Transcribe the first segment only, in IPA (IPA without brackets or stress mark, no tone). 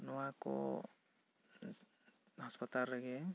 n